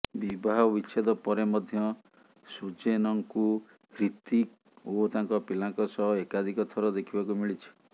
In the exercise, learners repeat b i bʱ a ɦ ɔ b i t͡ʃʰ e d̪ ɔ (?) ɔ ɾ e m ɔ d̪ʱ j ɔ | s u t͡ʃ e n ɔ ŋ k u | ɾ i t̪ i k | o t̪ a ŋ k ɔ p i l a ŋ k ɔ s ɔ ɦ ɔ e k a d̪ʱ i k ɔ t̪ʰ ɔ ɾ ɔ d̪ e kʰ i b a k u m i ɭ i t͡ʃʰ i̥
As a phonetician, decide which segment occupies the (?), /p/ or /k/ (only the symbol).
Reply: p